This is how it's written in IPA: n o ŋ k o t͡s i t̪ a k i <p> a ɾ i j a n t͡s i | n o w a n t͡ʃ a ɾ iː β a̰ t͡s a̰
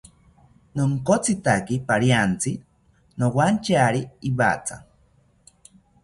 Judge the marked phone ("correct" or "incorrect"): correct